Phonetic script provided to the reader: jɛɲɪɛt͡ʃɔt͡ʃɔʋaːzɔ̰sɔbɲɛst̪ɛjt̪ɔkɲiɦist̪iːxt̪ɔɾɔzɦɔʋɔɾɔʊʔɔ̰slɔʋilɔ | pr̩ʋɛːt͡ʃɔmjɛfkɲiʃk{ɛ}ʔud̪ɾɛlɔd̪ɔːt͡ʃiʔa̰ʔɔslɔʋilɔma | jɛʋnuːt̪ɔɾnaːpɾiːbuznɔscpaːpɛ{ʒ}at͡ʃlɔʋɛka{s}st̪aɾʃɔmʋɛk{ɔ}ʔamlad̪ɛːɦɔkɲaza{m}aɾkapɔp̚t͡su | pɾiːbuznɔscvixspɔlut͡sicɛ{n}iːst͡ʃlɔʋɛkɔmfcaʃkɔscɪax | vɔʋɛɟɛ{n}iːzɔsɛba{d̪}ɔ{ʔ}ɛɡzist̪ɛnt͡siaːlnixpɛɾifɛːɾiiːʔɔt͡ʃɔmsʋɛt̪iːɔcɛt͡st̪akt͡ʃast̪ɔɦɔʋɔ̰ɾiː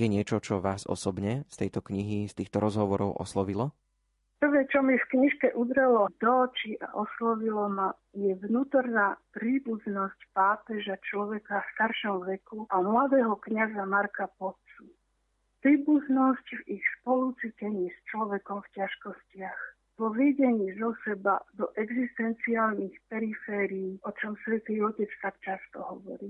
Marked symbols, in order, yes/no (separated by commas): yes, yes, no, no, yes, no, no, yes, yes